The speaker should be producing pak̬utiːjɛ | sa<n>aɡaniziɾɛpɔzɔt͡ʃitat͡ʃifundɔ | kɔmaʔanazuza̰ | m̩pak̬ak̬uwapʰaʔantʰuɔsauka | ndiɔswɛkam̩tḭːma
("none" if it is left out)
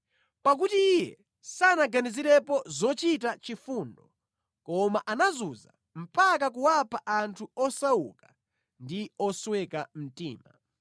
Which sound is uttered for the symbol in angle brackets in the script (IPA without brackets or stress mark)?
n